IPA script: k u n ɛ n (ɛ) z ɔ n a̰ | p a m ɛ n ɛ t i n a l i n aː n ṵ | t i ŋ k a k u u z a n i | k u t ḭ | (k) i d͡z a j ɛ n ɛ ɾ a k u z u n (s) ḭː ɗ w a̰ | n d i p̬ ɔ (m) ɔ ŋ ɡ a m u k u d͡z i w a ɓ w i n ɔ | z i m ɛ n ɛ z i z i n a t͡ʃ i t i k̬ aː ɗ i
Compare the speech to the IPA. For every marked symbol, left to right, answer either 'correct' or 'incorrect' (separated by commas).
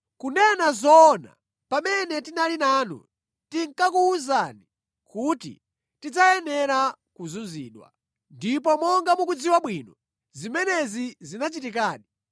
incorrect, incorrect, incorrect, correct